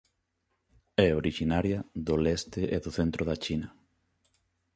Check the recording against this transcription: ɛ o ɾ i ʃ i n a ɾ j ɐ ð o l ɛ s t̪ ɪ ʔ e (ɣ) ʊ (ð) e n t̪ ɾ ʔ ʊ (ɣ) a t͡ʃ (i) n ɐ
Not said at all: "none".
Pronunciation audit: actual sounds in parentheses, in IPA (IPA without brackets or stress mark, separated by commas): ð, θ, ð, i